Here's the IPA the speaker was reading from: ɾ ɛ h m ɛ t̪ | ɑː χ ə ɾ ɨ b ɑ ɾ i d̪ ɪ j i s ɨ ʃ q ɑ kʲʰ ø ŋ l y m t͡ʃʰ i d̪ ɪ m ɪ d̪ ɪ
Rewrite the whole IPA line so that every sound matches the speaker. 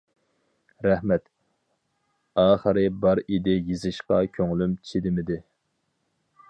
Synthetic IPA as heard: ɾ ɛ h m ɛ t̪ | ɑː χ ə ɾ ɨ b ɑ ɾ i d̪ ɪ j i z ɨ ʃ q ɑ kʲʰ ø ŋ l y m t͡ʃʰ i d̪ ɪ m ɪ d̪ ɪ